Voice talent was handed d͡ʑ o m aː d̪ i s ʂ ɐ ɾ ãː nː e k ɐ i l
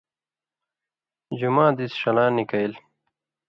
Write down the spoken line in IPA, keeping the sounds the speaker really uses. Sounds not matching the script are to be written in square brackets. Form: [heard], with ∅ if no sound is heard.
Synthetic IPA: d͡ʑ [u] m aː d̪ i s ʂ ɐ [l] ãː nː [i] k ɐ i l